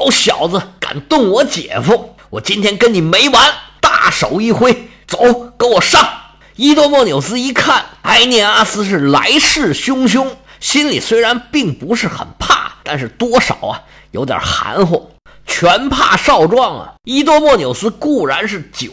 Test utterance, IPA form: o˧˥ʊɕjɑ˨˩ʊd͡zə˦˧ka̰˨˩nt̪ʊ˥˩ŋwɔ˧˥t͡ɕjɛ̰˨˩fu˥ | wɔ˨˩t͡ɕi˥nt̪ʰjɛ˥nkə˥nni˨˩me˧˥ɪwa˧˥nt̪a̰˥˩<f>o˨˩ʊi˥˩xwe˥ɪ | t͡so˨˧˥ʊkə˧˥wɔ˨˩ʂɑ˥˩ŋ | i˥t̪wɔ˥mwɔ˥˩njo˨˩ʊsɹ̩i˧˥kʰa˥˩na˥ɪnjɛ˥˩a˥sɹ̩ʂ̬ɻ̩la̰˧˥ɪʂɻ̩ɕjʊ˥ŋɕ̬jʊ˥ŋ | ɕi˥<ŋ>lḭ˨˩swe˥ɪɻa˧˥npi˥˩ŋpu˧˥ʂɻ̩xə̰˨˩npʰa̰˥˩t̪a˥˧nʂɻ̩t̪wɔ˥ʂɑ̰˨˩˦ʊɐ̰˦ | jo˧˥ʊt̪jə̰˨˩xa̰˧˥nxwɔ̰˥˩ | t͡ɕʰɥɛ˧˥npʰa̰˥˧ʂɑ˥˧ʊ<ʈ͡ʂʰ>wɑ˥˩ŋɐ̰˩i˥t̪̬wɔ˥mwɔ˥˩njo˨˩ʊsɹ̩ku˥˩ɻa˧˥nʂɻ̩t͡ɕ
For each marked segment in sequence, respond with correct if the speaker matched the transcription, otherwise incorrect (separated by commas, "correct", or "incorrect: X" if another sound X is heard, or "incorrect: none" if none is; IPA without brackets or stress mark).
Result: incorrect: ʂ, incorrect: n, incorrect: ʈ͡ʂ